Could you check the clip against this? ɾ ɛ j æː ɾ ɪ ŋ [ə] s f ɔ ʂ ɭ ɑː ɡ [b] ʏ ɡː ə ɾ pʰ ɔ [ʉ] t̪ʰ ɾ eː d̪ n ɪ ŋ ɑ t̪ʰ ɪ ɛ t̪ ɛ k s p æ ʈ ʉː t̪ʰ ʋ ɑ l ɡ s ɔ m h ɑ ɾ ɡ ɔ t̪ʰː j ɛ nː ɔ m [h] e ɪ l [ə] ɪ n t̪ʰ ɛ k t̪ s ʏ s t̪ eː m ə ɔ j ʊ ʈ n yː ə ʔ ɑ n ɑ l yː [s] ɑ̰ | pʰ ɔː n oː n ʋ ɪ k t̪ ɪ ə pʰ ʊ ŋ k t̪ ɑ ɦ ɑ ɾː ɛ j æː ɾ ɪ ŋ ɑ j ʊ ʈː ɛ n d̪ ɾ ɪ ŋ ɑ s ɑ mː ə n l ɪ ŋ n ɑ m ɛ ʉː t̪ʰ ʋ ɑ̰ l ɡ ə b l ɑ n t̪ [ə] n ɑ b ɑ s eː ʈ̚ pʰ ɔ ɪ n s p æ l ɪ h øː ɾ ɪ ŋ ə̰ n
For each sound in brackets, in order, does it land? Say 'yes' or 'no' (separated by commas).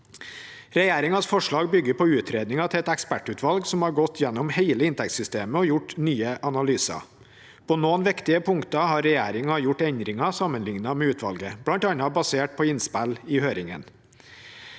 no, yes, no, yes, yes, yes, no